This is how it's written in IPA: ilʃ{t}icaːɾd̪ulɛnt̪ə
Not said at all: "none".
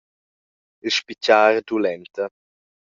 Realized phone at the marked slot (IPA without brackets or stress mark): p